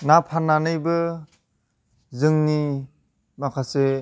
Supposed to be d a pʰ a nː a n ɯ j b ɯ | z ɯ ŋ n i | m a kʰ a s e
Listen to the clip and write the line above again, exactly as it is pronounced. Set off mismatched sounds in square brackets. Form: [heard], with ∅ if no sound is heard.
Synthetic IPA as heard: [n] a pʰ a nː a n ɯ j b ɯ | z ɯ ŋ n i | m a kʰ a s e